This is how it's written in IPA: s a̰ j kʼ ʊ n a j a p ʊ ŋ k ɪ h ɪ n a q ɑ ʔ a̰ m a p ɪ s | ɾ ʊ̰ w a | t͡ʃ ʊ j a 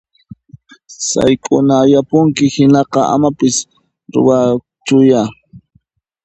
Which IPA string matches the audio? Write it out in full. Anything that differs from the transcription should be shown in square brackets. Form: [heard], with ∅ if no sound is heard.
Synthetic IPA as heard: s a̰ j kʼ ʊ n a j a p ʊ ŋ k ɪ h ɪ n [ɑ] q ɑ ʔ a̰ m a p ɪ s | ɾ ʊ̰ w a | t͡ʃ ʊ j a